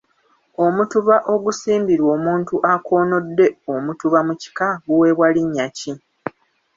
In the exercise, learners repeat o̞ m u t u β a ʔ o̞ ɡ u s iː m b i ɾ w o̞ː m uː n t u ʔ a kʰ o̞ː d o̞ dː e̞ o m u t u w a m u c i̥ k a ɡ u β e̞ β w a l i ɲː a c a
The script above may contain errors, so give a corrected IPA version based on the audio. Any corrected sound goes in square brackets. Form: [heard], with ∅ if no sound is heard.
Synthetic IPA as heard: o̞ m u t u β a ʔ o̞ ɡ u s iː m b i ɾ w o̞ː m uː n t u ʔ a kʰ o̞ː [n] o̞ dː e̞ o m u t u [β] a m u c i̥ k a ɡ u [w] e̞ β w a l i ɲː a c [i]